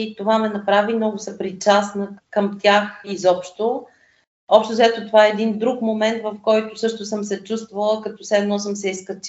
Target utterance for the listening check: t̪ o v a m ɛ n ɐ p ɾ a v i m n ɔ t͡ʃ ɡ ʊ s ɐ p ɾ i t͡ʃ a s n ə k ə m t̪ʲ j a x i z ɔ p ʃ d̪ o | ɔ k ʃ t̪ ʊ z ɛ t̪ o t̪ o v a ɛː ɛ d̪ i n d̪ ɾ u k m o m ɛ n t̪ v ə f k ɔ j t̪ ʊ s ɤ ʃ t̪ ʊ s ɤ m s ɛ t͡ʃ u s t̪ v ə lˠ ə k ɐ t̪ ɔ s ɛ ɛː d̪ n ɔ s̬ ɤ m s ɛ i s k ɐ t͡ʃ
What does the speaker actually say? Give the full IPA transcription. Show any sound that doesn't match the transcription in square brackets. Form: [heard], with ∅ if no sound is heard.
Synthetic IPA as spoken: t̪ o v a m ɛ n ɐ p ɾ a v i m n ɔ [∅] ɡ ʊ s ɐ p ɾ i t͡ʃ a s n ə k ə m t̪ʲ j a x i z ɔ p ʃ [t̪] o | ɔ [p] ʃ t̪ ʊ z ɛ t̪ o t̪ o v a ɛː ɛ d̪ i n d̪ ɾ u k m o m ɛ n t̪ v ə f k ɔ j t̪ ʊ s ɤ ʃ t̪ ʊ s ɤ m s ɛ t͡ʃ u s t̪ v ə lˠ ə k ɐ t̪ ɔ s ɛ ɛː d̪ n ɔ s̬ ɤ m s ɛ i s k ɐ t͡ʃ